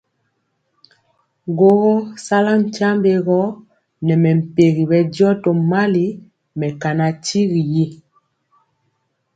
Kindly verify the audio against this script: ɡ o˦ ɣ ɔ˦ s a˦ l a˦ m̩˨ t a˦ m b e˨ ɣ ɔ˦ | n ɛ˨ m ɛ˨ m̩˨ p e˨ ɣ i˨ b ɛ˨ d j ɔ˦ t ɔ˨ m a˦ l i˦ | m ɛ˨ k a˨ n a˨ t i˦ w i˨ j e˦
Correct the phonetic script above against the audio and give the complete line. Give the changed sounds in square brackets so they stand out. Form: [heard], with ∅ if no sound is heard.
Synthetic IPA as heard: ɡ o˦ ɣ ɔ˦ s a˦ l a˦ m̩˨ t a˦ m b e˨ ɣ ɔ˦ | n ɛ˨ m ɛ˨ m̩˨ p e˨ ɣ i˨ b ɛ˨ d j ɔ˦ t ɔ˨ m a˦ l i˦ | m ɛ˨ k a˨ n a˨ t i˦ [ɣ] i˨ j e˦